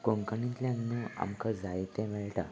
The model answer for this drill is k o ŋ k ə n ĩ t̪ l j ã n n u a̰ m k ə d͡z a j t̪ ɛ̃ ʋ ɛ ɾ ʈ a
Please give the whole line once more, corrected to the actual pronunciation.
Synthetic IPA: k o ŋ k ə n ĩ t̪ l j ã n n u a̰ m k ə d͡z a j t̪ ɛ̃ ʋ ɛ ɭ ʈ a